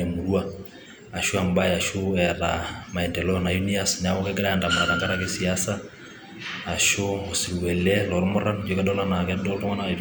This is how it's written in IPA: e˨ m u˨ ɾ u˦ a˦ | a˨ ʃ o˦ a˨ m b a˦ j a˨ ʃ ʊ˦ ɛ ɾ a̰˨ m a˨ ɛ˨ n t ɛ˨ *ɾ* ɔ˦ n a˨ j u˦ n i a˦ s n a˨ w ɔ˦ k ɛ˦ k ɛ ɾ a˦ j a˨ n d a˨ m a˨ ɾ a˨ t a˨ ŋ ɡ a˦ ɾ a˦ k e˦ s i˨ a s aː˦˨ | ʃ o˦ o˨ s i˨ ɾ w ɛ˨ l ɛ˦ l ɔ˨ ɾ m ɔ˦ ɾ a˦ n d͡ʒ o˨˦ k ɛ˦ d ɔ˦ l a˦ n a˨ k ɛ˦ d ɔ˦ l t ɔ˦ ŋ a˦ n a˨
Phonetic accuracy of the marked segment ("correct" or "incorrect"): incorrect